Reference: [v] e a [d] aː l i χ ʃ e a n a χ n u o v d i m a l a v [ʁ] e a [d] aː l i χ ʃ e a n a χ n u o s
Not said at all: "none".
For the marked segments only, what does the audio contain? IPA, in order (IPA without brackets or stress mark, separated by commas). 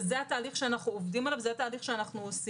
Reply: z, t, z, t